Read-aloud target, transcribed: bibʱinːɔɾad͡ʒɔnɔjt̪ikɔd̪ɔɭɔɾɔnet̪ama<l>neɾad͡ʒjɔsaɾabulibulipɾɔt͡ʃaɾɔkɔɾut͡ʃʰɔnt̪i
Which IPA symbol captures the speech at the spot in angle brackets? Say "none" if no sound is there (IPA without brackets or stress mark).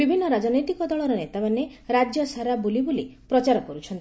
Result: none